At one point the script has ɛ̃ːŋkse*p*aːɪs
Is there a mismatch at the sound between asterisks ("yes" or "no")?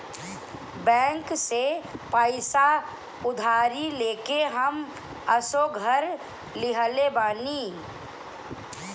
no